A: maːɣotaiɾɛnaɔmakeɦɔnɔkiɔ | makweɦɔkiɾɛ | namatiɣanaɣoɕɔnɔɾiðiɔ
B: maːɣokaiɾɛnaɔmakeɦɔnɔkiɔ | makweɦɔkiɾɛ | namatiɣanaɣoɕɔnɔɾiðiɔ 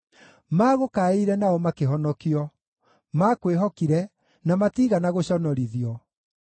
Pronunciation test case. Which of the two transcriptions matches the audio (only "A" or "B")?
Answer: B